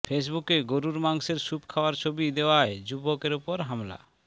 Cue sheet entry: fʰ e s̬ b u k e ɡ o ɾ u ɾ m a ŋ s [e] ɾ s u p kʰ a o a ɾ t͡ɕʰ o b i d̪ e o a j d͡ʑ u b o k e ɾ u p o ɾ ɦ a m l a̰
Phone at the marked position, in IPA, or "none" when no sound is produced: e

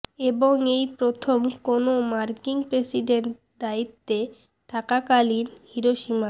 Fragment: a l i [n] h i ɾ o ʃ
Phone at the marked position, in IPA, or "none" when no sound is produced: n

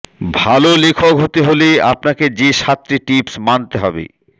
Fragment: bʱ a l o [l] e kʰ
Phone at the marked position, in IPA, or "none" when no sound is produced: l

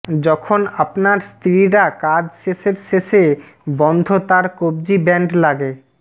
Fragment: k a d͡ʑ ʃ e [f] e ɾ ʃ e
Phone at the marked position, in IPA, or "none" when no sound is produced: ʃ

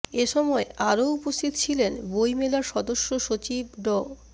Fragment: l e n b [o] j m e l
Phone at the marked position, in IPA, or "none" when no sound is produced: o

